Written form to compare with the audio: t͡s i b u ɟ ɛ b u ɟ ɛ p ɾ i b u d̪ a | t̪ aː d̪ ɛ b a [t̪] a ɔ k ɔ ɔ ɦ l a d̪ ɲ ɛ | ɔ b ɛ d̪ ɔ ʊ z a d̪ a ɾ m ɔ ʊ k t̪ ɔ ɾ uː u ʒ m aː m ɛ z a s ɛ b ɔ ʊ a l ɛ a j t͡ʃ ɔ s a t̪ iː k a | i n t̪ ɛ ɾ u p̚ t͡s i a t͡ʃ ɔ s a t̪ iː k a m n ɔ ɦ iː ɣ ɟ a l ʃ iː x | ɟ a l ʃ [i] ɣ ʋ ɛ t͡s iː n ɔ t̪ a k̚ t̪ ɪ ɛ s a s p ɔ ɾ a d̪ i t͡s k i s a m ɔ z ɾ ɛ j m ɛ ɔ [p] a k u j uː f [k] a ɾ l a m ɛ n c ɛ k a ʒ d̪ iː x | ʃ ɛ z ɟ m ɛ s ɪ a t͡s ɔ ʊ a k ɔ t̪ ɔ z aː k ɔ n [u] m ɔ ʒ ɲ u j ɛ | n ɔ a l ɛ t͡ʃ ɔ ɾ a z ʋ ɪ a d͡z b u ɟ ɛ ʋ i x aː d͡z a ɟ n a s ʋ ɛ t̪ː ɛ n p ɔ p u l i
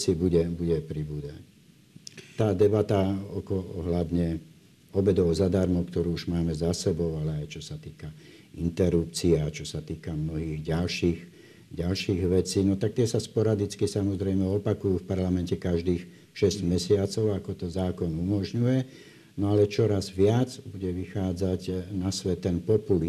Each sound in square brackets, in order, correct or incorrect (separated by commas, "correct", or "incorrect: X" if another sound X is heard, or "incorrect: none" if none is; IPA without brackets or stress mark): correct, incorrect: iː, correct, incorrect: p, correct